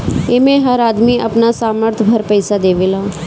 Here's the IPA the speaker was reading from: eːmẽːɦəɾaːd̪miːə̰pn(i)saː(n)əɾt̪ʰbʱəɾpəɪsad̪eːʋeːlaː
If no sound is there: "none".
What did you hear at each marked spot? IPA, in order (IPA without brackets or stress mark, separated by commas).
a, m